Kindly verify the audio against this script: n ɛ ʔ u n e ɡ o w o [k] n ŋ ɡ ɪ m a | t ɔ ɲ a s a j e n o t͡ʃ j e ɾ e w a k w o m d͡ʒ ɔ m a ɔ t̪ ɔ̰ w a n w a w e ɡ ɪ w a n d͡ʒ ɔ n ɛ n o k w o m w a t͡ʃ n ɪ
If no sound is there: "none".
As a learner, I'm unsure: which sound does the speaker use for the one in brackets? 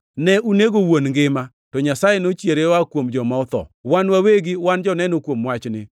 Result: none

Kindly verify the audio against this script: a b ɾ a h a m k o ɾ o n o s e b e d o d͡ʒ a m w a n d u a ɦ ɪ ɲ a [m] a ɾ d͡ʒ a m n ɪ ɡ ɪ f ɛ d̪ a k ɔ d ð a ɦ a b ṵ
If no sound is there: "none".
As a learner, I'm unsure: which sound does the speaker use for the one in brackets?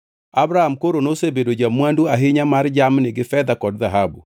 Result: m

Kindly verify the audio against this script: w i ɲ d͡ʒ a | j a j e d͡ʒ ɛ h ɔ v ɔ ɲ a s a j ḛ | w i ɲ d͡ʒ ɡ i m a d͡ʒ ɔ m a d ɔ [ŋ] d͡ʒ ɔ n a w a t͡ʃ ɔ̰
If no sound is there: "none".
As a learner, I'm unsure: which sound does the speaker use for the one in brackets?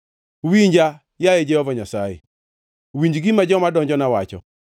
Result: ɲ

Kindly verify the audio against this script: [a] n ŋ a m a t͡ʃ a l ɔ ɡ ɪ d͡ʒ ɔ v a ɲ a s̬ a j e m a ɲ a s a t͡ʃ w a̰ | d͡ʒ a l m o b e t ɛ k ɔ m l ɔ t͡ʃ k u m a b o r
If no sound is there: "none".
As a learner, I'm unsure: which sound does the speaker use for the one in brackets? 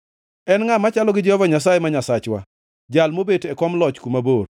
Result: ɛ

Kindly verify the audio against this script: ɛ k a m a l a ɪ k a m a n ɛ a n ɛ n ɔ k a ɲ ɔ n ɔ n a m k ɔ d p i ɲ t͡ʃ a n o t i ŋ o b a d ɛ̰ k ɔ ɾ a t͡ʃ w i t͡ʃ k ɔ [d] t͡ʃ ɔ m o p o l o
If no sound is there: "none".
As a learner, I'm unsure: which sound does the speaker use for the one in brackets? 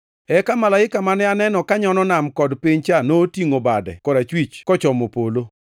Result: none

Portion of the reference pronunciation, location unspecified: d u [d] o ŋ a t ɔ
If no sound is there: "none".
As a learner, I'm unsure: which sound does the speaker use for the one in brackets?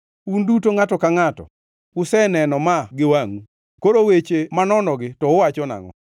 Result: t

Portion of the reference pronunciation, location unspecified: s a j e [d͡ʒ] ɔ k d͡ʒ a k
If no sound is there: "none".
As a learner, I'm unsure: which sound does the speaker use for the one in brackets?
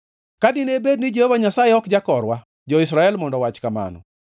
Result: none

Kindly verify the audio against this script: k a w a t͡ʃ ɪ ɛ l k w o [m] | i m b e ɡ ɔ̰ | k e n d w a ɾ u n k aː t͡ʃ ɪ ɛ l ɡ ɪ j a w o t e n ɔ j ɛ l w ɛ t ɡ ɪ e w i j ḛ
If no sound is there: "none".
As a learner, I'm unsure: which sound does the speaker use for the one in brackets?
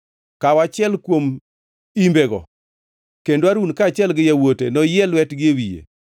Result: m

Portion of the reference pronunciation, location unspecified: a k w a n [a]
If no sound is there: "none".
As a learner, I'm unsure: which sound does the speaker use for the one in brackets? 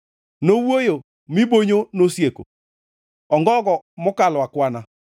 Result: a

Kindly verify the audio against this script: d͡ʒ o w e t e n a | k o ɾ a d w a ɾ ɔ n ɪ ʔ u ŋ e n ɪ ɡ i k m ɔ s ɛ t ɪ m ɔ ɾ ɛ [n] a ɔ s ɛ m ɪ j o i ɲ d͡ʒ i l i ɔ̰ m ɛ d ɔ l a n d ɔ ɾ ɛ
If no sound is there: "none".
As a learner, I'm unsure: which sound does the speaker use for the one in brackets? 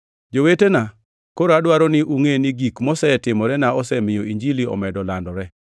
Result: n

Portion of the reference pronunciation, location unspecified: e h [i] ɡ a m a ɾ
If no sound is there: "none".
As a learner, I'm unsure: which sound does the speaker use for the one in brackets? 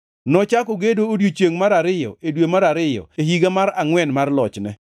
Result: i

